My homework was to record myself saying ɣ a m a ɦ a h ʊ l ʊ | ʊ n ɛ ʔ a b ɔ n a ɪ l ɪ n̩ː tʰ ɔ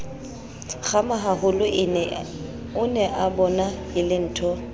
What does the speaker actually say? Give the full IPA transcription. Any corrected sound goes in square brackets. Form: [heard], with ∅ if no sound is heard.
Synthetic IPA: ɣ a m a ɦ a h ʊ l ʊ | ʊ n ɛ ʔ a b ɔ n a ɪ l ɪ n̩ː tʰ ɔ